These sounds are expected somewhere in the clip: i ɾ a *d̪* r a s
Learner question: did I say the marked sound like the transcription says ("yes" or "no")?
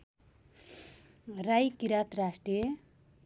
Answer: no